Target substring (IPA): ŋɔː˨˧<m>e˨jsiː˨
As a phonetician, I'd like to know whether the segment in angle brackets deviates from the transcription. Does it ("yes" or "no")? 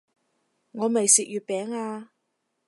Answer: no